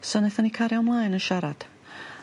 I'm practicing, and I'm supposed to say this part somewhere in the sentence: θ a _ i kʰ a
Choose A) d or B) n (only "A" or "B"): B